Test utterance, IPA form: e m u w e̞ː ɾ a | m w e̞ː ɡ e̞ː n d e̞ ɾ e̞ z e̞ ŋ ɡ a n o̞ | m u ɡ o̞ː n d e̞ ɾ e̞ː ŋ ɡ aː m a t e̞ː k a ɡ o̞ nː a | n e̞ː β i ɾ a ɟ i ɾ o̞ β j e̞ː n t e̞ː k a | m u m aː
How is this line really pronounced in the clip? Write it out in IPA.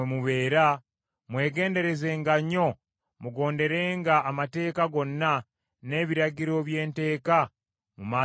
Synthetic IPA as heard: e m u β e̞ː ɾ a | m w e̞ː ɡ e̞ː n d e̞ ɾ e̞ z e̞ ŋ ɡ a ɲ o̞ | m u ɡ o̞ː n d e̞ ɾ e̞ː ŋ ɡ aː m a t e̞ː k a ɡ o̞ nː a | n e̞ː β i ɾ a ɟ i ɾ o̞ β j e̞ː n t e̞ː k a | m u m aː